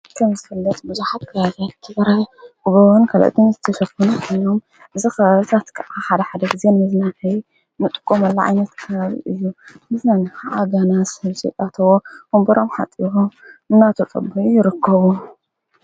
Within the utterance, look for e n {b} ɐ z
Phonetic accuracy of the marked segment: incorrect: m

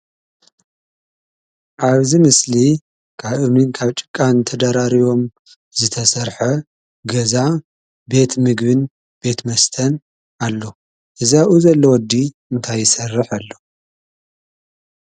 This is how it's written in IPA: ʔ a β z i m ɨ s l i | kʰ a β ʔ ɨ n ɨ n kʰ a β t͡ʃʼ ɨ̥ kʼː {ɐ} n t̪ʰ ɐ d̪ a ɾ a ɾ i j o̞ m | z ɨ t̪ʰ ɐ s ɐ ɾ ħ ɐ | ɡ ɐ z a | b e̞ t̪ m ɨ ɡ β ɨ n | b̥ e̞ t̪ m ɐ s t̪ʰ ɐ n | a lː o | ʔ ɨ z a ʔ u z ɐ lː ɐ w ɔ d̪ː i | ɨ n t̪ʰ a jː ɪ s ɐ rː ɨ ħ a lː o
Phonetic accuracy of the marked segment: incorrect: a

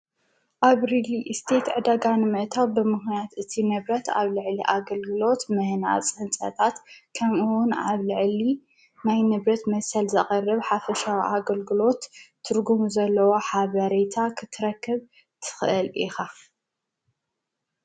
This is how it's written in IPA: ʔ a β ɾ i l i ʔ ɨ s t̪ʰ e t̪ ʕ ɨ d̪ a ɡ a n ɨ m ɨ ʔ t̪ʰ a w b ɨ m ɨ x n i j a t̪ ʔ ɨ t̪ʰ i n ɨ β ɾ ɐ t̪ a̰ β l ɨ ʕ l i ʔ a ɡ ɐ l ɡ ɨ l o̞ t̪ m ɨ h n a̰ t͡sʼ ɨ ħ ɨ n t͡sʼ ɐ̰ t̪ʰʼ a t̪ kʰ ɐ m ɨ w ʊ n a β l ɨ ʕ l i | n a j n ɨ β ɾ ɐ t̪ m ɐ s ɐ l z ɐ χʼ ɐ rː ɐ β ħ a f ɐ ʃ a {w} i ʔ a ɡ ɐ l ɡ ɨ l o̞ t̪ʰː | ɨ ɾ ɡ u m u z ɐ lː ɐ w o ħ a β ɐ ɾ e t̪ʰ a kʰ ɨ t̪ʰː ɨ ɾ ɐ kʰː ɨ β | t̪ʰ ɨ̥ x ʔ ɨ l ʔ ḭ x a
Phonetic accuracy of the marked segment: correct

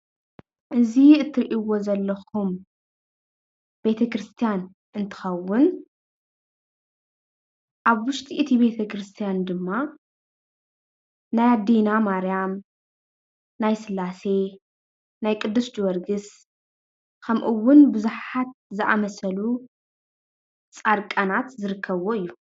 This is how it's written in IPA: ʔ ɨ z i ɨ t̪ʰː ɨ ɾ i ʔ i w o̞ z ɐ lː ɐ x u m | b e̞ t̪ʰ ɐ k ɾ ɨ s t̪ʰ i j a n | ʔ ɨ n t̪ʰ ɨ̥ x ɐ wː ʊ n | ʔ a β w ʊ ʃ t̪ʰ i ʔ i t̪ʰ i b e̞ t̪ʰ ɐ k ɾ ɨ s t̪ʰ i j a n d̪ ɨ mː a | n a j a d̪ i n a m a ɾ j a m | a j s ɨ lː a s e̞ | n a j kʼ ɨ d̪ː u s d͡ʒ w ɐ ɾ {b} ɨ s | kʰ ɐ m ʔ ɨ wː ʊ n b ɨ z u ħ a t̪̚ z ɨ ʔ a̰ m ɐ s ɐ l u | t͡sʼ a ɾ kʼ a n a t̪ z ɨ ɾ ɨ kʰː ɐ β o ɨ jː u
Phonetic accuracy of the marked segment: incorrect: ɡ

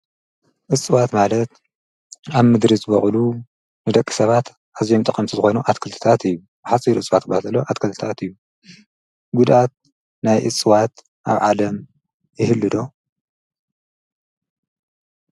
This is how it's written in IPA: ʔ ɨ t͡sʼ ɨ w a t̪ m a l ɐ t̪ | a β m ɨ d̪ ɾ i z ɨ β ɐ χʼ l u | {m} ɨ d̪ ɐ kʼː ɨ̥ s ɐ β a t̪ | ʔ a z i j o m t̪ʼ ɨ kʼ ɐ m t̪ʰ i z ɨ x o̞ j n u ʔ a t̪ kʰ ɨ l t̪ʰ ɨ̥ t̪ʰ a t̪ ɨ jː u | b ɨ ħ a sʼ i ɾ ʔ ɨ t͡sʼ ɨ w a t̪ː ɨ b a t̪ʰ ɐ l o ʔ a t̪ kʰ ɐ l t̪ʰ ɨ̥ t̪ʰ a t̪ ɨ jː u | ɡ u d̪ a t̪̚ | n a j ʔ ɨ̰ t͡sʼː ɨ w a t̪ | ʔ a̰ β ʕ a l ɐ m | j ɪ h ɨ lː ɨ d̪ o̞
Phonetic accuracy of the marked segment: incorrect: n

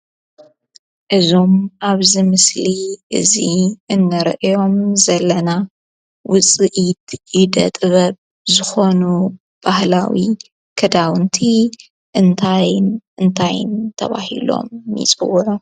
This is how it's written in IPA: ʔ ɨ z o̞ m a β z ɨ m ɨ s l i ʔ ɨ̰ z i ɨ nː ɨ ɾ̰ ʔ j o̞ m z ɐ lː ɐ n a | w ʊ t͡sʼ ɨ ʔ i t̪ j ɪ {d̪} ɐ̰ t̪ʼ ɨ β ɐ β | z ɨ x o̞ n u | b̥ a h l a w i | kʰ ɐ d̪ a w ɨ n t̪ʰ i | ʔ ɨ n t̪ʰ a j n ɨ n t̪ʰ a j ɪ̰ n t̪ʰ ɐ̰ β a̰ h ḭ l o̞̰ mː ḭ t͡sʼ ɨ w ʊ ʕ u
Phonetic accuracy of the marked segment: correct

